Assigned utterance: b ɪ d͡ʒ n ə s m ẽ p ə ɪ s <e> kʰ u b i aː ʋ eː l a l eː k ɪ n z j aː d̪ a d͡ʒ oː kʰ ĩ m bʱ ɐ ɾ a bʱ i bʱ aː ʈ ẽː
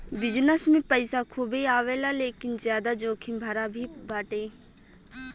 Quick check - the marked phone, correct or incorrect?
incorrect